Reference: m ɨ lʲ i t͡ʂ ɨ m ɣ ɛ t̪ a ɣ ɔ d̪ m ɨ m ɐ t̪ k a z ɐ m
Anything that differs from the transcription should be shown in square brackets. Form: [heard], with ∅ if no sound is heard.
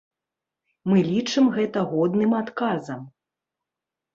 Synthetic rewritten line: m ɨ lʲ i t͡ʂ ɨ m ɣ ɛ t̪ [ɐ] ɣ ɔ d̪ [n] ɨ m [a] t̪ k a z ɐ m